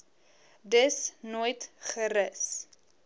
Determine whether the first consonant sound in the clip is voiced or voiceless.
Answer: voiced